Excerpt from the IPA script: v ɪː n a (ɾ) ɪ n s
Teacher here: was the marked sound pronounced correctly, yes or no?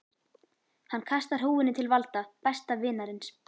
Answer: yes